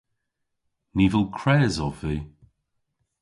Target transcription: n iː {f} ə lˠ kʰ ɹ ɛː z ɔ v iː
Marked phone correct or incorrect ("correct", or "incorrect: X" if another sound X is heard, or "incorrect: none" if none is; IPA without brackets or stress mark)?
incorrect: v